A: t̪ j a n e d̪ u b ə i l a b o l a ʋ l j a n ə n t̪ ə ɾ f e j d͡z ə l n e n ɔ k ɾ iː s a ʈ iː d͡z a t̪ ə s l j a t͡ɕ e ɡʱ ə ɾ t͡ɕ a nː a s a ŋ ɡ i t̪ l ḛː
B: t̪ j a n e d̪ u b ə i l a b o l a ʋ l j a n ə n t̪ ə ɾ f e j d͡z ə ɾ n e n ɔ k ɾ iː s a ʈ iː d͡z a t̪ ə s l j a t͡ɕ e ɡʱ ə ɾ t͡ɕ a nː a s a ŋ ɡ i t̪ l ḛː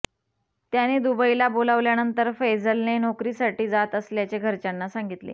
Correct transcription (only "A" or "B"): A